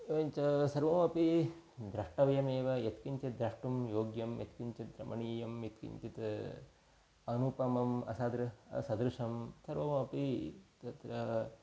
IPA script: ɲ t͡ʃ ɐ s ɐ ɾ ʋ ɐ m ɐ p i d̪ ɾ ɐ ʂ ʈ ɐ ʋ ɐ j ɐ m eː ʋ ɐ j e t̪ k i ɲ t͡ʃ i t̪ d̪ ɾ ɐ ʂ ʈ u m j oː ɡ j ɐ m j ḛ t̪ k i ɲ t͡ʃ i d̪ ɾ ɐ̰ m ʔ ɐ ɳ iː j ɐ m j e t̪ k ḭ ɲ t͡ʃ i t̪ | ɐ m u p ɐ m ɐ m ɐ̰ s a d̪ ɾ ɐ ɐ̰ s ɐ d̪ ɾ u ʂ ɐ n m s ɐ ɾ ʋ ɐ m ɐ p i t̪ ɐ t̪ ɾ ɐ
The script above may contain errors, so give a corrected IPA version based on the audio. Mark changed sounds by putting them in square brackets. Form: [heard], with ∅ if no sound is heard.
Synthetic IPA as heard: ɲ t͡ʃ ɐ s ɐ ɾ ʋ ɐ m ɐ p i d̪ ɾ ɐ ʂ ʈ ɐ ʋ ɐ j ɐ m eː ʋ ɐ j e t̪ k i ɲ t͡ʃ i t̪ d̪ ɾ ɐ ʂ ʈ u m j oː ɡ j ɐ m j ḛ t̪ k i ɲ t͡ʃ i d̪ ɾ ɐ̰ m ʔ ɐ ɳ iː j ɐ m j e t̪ k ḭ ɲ t͡ʃ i t̪ | ɐ [n] u p ɐ m ɐ m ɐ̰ s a d̪ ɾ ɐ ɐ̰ s ɐ d̪ ɾ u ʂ ɐ [∅] m s ɐ ɾ ʋ ɐ m ɐ p i t̪ ɐ t̪ ɾ ɐ

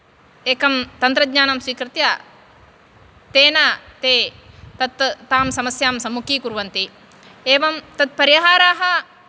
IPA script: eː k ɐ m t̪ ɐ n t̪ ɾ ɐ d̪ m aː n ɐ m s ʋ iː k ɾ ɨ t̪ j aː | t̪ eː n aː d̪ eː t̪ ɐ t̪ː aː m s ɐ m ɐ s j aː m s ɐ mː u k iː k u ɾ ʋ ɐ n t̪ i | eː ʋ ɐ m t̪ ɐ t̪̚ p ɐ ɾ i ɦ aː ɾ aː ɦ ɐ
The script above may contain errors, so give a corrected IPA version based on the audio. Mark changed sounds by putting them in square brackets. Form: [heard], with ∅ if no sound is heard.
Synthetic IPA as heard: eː k ɐ m t̪ ɐ n t̪ ɾ ɐ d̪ [ɲ] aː n ɐ m s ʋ iː k ɾ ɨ t̪ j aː | t̪ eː n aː [t̪] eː t̪ ɐ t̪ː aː m s ɐ m ɐ s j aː m s ɐ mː u k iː k u ɾ ʋ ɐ n t̪ i | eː ʋ ɐ m t̪ ɐ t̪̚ p ɐ ɾ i ɦ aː ɾ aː ɦ ɐ

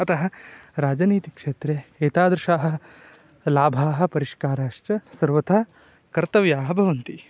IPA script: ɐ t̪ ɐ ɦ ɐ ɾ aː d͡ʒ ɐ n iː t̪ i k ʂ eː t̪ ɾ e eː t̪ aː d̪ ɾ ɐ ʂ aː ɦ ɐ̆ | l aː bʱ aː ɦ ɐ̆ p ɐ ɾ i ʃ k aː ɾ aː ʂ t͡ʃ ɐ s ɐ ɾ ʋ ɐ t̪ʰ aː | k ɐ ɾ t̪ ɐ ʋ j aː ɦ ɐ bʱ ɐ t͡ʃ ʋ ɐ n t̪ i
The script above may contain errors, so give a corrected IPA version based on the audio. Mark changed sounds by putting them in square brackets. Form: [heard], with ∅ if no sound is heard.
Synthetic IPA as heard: ɐ t̪ ɐ ɦ ɐ ɾ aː d͡ʒ ɐ n iː t̪ i k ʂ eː t̪ ɾ e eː t̪ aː d̪ ɾ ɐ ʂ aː ɦ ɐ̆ | l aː bʱ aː ɦ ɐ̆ p ɐ ɾ i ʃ k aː ɾ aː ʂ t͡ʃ ɐ s ɐ ɾ ʋ ɐ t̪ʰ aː | k ɐ ɾ t̪ ɐ ʋ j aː ɦ ɐ bʱ ɐ [∅] ʋ ɐ n t̪ i

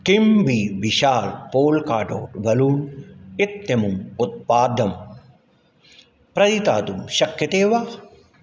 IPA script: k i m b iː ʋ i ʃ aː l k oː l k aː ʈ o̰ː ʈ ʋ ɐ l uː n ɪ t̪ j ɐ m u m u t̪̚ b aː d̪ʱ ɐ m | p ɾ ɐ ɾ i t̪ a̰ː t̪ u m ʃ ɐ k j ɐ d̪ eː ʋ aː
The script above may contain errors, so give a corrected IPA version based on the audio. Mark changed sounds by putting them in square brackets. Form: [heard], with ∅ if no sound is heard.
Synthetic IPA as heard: k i m b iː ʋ i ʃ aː l [p] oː l k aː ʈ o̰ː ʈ ʋ ɐ l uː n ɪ t̪ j ɐ m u m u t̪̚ [p] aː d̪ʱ ɐ m | p ɾ ɐ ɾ i t̪ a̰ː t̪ u m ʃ ɐ k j ɐ [t̪] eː ʋ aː

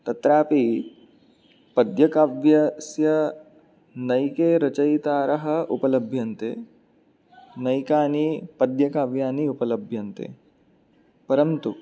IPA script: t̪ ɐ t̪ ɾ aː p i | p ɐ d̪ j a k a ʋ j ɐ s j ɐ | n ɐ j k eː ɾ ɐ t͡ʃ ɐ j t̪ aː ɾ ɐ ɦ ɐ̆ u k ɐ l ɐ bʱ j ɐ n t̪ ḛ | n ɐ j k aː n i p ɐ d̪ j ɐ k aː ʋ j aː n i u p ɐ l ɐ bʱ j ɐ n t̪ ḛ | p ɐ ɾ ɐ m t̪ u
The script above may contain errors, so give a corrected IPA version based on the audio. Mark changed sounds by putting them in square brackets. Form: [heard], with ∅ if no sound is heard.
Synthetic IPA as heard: t̪ ɐ t̪ ɾ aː p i | p ɐ d̪ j [ɐ] k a ʋ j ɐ s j ɐ | n ɐ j k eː ɾ ɐ t͡ʃ ɐ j t̪ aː ɾ ɐ ɦ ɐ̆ u [p] ɐ l ɐ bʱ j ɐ n t̪ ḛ | n ɐ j k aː n i p ɐ d̪ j ɐ k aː ʋ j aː n i u p ɐ l ɐ bʱ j ɐ n t̪ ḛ | p ɐ ɾ ɐ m t̪ u

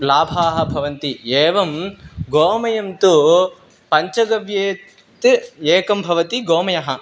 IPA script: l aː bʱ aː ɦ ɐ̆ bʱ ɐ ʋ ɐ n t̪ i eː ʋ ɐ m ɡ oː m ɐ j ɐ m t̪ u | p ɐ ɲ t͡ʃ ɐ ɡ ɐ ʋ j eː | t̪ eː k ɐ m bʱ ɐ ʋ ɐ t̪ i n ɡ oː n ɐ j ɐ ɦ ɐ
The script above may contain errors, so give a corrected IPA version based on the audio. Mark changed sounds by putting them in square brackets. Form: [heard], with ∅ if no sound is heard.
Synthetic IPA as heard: l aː bʱ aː ɦ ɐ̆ bʱ ɐ ʋ ɐ n t̪ i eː ʋ ɐ m ɡ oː m ɐ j ɐ m t̪ u | p ɐ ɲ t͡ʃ ɐ ɡ ɐ ʋ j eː | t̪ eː k ɐ m bʱ ɐ ʋ ɐ t̪ i [∅] ɡ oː [m] ɐ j ɐ ɦ ɐ

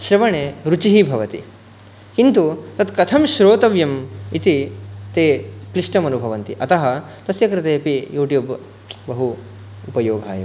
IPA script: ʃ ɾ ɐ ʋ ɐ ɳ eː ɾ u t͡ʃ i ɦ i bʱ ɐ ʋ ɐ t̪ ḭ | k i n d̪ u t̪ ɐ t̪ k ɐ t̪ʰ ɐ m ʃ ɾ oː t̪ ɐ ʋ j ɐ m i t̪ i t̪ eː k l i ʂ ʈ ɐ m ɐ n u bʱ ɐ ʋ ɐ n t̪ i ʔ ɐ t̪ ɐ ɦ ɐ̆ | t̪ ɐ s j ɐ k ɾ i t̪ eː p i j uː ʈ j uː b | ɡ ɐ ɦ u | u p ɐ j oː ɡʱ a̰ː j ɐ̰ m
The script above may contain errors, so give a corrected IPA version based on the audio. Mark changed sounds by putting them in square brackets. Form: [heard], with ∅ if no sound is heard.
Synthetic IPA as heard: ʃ ɾ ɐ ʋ ɐ ɳ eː ɾ u t͡ʃ i ɦ i bʱ ɐ ʋ ɐ t̪ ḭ | k i n [t̪] u t̪ ɐ t̪ k ɐ t̪ʰ ɐ m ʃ ɾ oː t̪ ɐ ʋ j ɐ m i t̪ i t̪ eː k l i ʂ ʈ ɐ m ɐ n u bʱ ɐ ʋ ɐ n t̪ i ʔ ɐ t̪ ɐ ɦ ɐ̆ | t̪ ɐ s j ɐ k ɾ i t̪ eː p i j uː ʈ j uː b | [b] ɐ ɦ u | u p ɐ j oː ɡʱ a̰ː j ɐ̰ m

